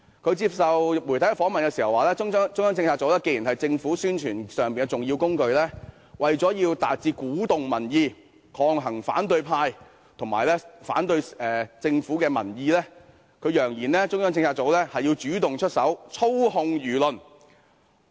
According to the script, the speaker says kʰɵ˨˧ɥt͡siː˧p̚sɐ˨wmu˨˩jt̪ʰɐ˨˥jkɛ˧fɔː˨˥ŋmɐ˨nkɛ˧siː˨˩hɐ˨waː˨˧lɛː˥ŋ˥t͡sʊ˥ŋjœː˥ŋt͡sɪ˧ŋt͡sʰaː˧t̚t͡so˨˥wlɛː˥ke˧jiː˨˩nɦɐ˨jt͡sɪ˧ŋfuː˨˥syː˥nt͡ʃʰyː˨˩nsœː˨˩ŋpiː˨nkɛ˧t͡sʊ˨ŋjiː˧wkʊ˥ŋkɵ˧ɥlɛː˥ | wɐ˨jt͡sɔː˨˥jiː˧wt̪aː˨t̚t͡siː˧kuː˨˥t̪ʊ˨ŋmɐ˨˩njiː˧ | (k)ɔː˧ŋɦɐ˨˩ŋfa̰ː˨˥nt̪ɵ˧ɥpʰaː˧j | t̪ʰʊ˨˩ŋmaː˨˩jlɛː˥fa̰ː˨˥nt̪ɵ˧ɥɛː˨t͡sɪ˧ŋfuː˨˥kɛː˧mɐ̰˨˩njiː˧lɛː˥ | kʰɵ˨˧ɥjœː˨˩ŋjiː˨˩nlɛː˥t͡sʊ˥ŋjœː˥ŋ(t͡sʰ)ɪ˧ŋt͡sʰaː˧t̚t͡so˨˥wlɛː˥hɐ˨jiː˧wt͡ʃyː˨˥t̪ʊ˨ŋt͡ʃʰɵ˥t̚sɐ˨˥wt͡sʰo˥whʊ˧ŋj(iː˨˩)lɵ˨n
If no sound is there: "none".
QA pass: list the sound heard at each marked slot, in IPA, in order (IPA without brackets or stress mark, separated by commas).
kʰ, t͡s, yː˨˩